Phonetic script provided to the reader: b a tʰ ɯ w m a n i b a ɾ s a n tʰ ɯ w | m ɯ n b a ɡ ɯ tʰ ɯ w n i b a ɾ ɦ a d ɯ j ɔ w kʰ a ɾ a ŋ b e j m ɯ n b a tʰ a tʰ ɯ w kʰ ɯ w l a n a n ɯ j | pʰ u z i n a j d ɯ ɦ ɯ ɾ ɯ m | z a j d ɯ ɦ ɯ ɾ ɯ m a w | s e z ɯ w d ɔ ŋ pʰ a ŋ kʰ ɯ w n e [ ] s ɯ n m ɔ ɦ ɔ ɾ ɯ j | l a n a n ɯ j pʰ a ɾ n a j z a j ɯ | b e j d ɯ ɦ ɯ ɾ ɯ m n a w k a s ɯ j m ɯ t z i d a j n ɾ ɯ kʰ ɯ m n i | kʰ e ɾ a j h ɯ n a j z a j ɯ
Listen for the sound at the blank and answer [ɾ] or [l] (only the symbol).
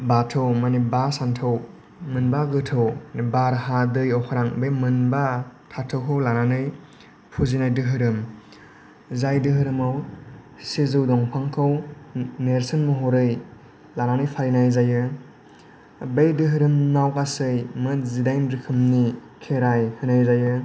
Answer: ɾ